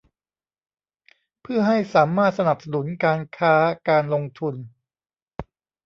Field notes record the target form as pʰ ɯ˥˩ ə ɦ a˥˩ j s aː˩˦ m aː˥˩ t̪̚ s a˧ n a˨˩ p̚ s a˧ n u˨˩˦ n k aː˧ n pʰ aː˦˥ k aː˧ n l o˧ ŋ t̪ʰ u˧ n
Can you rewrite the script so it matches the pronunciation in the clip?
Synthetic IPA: pʰ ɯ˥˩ ɐ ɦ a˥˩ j s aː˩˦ m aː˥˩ t̪̚ s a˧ n a˨˩ p̚ s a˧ n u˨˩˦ n k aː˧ n kʰ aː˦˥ k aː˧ n l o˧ ŋ t̪ʰ u˧ n